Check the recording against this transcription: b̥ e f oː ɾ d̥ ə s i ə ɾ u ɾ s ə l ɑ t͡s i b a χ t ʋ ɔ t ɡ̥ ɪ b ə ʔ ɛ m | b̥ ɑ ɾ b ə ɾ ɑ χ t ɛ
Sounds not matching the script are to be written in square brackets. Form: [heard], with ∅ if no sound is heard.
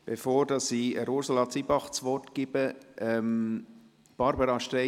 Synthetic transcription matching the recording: b̥ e f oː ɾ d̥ [ɑ] s i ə ɾ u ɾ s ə l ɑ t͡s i b [ɑ] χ [t͡s] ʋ ɔ t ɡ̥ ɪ b ə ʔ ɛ m | b̥ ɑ ɾ b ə ɾ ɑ [ʃ] t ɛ